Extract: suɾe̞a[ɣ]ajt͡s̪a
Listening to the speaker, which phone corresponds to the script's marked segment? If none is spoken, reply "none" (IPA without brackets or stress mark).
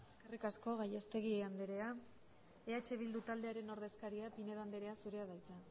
ð